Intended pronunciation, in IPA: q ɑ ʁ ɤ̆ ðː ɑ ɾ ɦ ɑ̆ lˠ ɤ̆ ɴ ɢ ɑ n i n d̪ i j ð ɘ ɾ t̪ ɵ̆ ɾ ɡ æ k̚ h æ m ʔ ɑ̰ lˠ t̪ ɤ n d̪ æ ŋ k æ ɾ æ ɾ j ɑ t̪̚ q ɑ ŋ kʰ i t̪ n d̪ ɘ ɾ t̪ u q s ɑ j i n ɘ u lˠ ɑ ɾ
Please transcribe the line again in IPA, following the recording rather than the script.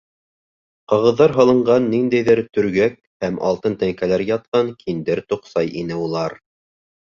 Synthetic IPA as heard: q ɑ ʁ ɤ̆ ðː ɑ ɾ ɦ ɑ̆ lˠ ɤ̆ ɴ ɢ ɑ nː i n d̪ æ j ð ɘ ɾ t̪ ɵ̆ ɾ ɡ æ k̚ h æ m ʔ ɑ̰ lˠ t̪ ɤ n t̪ æ ŋ k æ l æ ɾ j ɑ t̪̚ q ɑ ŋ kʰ i n d̪ ɘ ɾ t̪ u q s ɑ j i n ɘ u lˠ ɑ ɾ